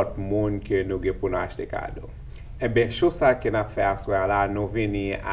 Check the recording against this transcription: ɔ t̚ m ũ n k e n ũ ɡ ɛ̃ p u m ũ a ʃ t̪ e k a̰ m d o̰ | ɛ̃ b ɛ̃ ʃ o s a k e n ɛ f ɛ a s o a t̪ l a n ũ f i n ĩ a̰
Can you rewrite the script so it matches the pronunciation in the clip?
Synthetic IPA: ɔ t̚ m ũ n k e n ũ ɡ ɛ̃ p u n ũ a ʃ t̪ e k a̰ d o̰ | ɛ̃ b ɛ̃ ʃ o s a k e n a f ɛ a s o a l a n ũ v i n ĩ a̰